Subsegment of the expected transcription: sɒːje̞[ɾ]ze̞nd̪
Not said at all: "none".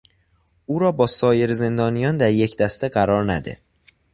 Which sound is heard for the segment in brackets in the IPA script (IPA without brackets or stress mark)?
ɾ